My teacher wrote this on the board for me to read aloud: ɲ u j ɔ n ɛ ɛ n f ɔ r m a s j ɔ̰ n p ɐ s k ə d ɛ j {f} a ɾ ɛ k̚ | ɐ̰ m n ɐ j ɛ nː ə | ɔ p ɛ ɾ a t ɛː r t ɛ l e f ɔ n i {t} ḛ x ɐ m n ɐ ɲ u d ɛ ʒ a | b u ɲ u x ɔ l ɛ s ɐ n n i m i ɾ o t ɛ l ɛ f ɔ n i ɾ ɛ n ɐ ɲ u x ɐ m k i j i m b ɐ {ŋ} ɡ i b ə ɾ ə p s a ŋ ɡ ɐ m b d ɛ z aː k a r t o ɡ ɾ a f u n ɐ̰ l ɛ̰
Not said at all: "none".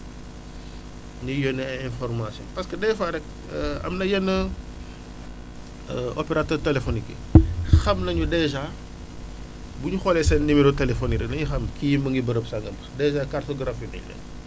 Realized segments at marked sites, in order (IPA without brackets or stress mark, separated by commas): f, k, ŋ